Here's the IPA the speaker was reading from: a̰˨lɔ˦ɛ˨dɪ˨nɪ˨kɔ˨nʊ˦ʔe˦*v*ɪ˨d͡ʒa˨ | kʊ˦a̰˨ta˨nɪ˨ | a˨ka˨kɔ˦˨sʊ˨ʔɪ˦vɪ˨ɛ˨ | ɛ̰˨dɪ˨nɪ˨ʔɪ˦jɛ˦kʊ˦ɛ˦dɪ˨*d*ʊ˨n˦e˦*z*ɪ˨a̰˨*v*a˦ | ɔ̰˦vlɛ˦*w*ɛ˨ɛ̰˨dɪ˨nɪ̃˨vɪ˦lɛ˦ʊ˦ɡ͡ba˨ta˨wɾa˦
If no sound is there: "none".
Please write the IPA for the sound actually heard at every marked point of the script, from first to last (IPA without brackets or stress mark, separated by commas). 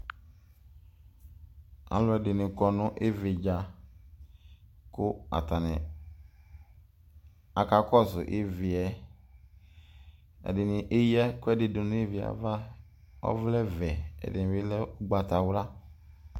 v, d, v, v, v